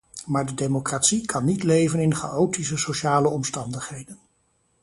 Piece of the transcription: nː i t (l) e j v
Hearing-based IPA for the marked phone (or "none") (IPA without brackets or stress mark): l